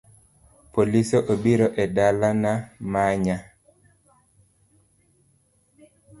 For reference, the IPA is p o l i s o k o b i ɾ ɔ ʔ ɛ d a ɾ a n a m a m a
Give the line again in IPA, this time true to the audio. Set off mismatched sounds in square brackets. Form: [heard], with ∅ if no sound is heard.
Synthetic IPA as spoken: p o l i s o [ʔ] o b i ɾ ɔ ʔ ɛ d a [l] a n a m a [ɲ] a